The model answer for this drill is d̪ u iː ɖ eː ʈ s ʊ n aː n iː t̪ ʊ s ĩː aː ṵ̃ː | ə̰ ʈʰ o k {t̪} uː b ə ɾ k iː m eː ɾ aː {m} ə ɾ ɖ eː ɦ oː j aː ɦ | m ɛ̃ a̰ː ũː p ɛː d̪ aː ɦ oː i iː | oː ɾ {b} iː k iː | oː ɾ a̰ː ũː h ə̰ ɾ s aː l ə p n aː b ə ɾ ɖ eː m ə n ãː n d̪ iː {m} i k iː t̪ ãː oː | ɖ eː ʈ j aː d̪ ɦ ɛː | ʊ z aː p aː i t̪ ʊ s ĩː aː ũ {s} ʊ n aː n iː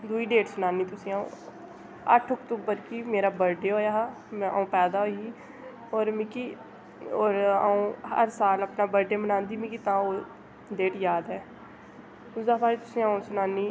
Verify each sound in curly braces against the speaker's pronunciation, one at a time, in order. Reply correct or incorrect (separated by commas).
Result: correct, incorrect, incorrect, correct, correct